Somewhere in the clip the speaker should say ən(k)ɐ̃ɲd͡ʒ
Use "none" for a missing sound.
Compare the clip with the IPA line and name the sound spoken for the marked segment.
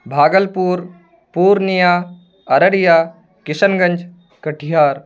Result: ɡ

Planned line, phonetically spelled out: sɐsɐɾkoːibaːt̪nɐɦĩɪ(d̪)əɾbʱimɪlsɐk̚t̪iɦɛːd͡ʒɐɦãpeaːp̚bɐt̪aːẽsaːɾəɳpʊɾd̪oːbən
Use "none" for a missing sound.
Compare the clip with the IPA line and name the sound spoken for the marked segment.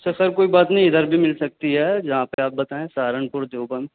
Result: d̪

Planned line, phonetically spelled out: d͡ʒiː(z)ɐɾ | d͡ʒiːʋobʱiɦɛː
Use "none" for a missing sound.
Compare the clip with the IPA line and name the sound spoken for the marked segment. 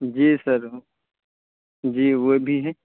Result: s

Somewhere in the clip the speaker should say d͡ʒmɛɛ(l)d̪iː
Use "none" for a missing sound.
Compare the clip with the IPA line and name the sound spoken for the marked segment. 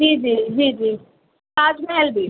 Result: l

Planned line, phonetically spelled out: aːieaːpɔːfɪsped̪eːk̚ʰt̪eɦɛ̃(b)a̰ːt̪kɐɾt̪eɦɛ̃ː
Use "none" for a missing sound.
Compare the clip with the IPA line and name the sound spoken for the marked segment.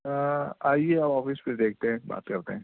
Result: b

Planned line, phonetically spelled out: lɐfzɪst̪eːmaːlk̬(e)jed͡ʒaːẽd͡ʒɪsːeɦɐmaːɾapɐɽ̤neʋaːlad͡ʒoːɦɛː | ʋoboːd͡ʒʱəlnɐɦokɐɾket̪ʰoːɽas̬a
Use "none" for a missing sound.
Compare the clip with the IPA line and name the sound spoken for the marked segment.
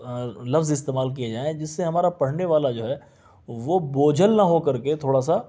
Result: i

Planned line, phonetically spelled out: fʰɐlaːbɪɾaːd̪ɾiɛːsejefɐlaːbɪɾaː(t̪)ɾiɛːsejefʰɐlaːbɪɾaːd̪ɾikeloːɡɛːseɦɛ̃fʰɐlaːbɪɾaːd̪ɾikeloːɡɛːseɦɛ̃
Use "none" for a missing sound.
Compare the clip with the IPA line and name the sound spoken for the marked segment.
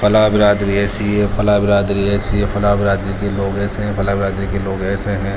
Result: d̪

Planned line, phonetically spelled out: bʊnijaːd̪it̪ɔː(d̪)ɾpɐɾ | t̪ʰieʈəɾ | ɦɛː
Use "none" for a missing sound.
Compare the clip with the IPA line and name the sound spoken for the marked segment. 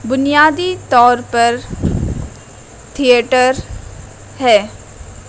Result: none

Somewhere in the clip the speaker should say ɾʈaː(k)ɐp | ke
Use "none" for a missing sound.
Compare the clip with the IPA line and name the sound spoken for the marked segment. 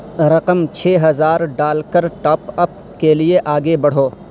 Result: p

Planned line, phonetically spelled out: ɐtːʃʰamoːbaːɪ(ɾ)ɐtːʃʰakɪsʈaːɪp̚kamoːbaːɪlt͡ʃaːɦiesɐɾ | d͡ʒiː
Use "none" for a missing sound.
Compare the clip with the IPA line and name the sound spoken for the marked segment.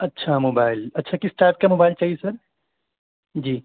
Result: l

